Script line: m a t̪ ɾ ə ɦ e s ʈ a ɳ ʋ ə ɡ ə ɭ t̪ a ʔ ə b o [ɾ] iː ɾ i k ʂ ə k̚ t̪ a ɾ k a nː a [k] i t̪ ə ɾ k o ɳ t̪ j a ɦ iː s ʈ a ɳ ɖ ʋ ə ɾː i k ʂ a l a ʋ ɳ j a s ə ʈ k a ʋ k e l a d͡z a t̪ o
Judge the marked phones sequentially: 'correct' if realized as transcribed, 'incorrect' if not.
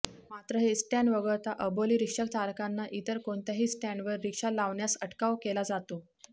incorrect: l, incorrect: ʔ

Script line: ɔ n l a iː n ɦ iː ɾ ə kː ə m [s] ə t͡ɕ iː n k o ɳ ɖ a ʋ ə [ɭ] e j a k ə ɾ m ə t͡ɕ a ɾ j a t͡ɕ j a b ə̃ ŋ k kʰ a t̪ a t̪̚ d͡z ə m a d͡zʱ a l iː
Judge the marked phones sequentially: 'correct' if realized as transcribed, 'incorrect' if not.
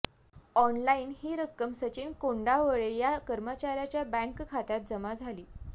correct, correct

